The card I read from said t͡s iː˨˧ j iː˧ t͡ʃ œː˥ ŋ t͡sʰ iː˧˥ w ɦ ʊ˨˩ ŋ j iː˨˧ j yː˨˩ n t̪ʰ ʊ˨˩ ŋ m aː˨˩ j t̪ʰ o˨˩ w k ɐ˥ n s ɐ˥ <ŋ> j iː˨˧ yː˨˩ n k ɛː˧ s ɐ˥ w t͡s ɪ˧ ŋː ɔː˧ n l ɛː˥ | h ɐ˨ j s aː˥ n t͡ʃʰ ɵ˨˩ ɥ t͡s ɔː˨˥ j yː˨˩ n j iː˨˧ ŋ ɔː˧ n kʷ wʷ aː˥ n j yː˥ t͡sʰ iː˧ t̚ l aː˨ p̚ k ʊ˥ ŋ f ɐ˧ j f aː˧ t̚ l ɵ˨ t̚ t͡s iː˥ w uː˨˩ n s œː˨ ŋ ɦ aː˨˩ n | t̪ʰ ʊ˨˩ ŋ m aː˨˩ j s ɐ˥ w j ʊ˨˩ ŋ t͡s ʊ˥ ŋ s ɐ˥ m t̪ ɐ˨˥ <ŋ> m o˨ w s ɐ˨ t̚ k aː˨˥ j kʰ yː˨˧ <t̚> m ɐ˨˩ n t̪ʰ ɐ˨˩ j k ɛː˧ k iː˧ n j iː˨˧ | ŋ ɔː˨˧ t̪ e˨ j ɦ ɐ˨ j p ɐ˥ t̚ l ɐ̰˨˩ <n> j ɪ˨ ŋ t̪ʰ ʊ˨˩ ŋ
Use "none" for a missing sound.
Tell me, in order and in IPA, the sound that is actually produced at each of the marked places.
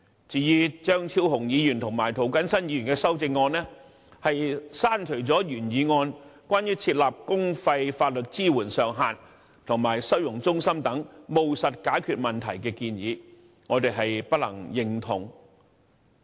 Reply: n, ŋ, t̚, ŋ

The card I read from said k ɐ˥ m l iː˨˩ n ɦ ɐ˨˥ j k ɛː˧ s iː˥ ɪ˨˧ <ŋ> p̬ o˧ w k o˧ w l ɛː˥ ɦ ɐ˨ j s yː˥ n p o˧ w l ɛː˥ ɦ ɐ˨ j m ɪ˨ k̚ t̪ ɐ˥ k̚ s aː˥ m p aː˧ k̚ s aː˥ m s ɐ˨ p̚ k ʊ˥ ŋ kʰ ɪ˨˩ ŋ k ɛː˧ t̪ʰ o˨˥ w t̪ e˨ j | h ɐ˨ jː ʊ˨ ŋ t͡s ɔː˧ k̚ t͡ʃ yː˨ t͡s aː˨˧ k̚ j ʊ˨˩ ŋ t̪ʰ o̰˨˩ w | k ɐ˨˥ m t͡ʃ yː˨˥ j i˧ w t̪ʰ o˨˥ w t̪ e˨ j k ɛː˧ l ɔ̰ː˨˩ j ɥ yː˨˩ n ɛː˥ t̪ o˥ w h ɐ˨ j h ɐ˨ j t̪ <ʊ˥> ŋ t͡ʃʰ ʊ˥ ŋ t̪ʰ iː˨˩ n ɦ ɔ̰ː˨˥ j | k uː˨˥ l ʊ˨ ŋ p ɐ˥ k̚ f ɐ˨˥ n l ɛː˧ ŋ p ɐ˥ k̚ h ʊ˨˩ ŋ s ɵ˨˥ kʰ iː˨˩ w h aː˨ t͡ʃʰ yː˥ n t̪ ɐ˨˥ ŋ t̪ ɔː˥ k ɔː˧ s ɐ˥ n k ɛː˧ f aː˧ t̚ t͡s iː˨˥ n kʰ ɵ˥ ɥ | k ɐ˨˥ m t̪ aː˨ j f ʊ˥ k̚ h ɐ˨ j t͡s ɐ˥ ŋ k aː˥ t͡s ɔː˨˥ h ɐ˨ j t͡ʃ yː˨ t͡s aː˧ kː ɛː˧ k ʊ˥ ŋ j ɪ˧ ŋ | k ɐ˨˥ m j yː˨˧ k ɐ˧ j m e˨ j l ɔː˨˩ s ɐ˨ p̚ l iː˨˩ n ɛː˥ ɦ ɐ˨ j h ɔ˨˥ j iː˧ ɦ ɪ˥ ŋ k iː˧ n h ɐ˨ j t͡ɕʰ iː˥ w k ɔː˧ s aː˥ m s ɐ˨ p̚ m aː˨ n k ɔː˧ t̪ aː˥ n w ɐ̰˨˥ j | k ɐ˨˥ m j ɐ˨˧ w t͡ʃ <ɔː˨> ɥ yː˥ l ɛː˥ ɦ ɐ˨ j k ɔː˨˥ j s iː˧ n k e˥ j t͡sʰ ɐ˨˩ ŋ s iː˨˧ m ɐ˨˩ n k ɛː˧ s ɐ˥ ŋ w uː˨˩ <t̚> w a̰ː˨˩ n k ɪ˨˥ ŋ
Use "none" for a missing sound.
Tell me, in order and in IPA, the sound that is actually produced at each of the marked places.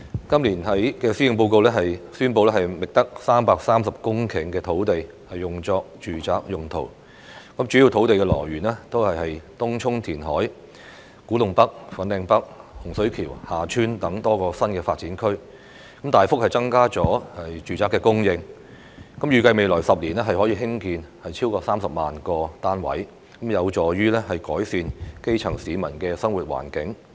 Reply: ŋ, ʊ˥, ɔː˨, t̚

